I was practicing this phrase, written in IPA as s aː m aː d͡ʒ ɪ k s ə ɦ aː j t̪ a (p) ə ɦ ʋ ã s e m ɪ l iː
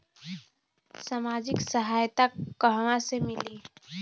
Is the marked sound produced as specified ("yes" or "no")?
no